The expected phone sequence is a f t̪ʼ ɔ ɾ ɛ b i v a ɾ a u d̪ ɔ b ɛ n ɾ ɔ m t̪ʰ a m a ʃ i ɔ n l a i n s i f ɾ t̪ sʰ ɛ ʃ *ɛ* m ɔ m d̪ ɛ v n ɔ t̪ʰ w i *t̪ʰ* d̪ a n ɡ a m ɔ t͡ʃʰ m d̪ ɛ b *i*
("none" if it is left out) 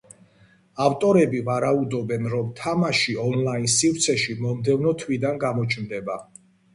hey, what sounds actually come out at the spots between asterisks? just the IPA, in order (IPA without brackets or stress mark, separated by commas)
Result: i, none, a